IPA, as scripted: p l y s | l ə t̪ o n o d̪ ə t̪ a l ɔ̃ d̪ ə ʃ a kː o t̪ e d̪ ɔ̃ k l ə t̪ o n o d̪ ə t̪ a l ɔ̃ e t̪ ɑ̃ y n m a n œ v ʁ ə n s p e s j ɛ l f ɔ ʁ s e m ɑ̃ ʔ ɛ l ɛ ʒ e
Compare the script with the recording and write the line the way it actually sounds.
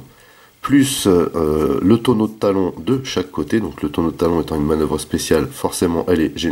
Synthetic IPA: p l y s | l ə t̪ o n o d̪ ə t̪ a l ɔ̃ d̪ ə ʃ a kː o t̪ e d̪ ɔ̃ k l ə t̪ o n o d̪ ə t̪ a l ɔ̃ e t̪ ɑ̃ y n m a n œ v ʁ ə s p e s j a l f ɔ ʁ s e m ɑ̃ ʔ ɛ l ɛ ʒ e